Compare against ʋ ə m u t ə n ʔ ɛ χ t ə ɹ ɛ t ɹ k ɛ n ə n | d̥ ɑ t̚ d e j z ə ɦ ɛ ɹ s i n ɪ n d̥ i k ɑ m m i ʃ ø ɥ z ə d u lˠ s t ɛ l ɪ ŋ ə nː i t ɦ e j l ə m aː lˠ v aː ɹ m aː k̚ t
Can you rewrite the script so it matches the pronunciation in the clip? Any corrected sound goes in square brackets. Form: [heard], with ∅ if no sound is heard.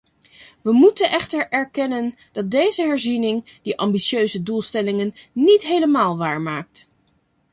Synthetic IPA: ʋ ə m u t ə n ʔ ɛ χ t ə ɹ ɛ [∅] ɹ k ɛ n ə n | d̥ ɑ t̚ d e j z ə ɦ ɛ ɹ [z] i n ɪ [ŋ] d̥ i [ʔ] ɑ m [b] i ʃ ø ɥ z ə d u lˠ s t ɛ l ɪ ŋ ə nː i t ɦ e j l ə m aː lˠ [ʋ] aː ɹ m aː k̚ t